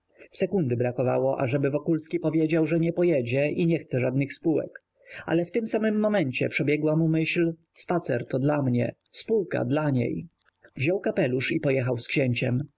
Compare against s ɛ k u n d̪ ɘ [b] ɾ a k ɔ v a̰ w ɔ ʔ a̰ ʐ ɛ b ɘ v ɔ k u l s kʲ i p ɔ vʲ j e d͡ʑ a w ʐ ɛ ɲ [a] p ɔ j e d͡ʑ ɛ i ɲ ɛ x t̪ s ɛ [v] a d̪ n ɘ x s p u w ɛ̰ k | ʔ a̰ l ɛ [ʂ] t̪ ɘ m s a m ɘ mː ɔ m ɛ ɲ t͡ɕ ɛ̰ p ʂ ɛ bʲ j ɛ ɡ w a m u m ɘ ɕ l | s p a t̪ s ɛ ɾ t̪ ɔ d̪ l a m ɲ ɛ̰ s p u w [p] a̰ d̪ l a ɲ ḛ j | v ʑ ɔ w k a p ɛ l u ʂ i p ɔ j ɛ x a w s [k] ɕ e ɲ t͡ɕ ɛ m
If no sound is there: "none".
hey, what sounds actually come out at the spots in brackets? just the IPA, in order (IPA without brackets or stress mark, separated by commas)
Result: b, ɛ, ʐ, f, k, k